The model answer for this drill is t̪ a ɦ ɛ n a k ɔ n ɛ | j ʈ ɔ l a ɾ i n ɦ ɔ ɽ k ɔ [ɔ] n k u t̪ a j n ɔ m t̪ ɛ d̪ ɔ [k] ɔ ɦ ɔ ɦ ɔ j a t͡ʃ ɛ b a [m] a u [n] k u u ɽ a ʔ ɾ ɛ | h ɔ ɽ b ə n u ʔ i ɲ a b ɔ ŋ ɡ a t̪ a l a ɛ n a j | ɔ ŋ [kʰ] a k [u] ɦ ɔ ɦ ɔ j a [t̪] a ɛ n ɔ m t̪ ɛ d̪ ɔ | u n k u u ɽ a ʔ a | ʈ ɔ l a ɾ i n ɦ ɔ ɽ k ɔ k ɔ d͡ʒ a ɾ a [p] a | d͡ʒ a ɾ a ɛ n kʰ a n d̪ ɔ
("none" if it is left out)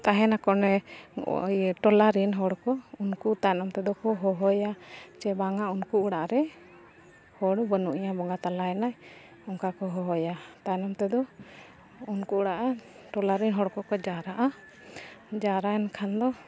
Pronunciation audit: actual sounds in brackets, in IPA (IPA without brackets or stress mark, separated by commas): u, k, ŋ, n, k, ɔ, t̪, ʔ